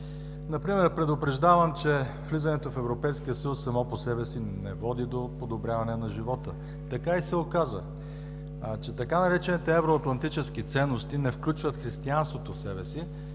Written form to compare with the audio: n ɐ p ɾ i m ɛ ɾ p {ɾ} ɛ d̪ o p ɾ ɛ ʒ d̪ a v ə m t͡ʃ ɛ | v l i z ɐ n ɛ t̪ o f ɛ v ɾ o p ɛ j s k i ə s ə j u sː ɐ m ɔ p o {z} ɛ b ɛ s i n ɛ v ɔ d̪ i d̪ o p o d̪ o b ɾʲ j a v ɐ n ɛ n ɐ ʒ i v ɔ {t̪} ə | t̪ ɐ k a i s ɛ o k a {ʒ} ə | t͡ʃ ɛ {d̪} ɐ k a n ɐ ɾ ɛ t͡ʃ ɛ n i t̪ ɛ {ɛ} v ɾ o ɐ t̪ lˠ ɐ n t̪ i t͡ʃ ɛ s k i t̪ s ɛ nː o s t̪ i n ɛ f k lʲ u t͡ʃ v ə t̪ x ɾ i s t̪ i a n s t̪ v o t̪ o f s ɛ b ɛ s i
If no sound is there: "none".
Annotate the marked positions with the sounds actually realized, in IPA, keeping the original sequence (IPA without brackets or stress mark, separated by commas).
ɾ, s, t̪, z, t̪, ɛ